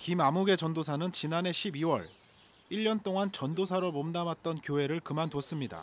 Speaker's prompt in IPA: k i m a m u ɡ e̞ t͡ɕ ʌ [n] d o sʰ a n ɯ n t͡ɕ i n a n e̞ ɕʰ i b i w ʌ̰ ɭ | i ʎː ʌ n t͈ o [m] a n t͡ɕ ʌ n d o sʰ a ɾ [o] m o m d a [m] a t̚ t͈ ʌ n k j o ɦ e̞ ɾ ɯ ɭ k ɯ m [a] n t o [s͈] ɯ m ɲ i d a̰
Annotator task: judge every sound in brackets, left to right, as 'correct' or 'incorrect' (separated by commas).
correct, incorrect, correct, correct, correct, correct